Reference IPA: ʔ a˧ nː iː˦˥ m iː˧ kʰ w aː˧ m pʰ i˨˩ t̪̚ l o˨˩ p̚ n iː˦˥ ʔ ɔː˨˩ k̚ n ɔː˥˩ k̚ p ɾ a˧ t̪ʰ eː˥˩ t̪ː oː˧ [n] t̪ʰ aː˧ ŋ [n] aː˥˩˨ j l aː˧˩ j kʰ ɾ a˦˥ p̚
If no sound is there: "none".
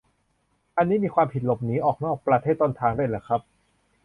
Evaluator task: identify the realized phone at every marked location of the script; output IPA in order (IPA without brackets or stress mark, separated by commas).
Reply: n, d